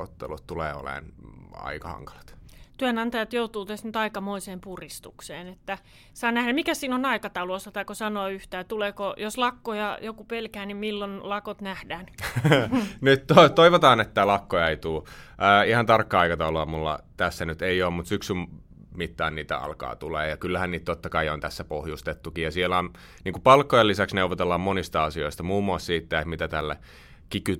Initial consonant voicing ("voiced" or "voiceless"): voiceless